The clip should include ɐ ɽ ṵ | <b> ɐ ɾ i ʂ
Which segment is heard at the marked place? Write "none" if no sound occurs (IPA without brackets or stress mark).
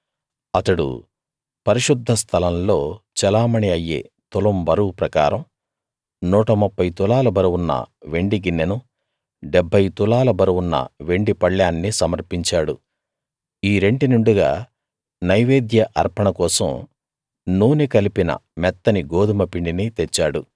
p